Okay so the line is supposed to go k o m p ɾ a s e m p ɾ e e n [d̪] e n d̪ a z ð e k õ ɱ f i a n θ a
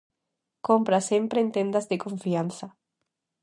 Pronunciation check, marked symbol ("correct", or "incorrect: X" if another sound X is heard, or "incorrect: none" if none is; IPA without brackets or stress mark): incorrect: t̪